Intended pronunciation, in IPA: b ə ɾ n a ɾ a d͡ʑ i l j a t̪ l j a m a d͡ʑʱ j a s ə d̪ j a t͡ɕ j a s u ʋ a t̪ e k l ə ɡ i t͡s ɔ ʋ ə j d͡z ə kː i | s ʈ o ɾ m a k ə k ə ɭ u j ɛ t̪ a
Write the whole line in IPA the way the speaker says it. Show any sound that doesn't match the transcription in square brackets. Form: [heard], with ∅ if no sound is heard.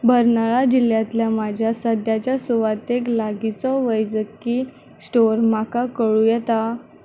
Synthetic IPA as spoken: b ə ɾ n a [ɭ] a d͡ʑ i l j a t̪ l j a m a d͡ʑʱ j a s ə d̪ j a t͡ɕ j a s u ʋ a t̪ e k l [a] ɡ i t͡s ɔ ʋ ə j d͡z ə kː i | s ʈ o ɾ m a k [a] k ə ɭ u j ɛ t̪ a